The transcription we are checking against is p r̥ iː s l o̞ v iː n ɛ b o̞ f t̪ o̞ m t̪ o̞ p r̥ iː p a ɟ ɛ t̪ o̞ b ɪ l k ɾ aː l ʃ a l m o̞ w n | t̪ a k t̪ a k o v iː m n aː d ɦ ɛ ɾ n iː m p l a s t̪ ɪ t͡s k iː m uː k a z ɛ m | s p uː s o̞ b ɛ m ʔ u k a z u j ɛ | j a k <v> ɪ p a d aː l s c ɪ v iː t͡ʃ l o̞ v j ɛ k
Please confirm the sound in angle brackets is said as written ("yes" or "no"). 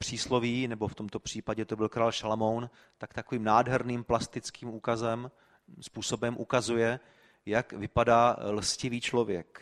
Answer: yes